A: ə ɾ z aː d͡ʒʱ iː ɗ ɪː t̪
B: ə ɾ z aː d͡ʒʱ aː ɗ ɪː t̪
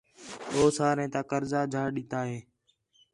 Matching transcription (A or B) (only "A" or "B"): B